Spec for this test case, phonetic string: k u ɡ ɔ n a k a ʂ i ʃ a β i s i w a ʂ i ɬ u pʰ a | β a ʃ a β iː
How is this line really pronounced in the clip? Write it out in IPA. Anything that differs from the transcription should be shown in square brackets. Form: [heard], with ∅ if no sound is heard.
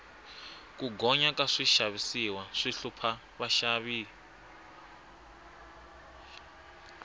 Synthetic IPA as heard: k u ɡ ɔ [ɲ] a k a ʂ i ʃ a β i s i w a ʂ i ɬ u pʰ a | β a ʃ a β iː